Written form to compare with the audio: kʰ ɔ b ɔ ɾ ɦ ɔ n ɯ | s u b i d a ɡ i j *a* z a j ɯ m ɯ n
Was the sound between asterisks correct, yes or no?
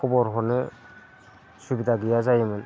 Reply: yes